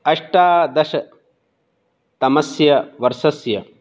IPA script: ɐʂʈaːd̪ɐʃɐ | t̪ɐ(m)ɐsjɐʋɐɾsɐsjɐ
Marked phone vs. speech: correct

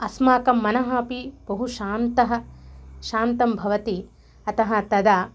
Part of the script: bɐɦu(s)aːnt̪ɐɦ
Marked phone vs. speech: incorrect: ʃ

